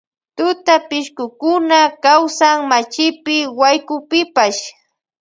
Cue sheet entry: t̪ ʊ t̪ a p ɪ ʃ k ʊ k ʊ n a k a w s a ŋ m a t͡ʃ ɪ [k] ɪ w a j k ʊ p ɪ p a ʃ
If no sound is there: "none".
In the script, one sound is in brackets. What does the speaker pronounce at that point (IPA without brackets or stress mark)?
p